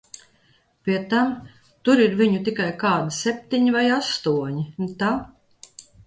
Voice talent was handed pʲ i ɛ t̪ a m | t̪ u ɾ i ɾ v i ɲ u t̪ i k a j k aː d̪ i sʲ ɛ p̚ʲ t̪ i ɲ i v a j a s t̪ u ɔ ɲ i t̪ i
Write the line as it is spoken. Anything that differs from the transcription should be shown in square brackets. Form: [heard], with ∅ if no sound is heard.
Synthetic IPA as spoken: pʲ i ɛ t̪ a m | t̪ u ɾ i ɾ v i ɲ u t̪ i k a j k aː d̪ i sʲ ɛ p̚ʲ t̪ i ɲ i v a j a s t̪ u ɔ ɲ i t̪ [a]